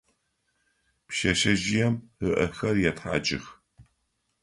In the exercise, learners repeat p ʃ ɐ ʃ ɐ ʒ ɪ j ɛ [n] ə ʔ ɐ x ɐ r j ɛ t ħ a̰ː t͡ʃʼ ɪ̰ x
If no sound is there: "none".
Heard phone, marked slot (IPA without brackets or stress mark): m